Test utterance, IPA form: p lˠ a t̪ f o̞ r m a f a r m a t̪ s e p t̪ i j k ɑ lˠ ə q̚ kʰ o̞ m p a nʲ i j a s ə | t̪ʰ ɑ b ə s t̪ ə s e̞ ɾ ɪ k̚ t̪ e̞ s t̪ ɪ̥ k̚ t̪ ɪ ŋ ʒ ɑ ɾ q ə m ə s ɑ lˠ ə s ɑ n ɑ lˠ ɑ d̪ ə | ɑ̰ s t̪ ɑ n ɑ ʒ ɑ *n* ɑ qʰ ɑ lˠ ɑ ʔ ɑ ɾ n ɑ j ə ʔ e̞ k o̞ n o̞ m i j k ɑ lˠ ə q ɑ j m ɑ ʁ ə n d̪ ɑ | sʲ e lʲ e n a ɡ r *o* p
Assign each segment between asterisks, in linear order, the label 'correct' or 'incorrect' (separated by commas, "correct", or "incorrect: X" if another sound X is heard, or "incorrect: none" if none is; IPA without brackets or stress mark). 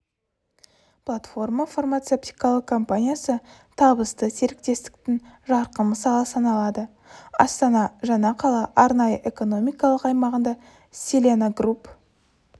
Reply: correct, incorrect: u